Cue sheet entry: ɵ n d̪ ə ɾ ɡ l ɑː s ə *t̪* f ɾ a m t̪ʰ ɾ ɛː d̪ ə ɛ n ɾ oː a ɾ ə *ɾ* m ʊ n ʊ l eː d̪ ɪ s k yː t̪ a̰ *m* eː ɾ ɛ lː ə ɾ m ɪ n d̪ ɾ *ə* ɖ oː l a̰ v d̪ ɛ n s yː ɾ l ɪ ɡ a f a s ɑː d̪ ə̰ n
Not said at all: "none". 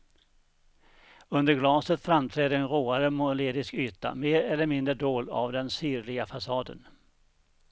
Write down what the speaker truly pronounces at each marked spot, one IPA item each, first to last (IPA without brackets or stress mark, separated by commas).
t̪, none, m, ə